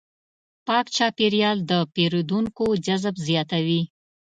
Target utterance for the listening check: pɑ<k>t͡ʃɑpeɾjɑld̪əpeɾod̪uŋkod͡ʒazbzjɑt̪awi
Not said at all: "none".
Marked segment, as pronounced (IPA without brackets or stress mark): k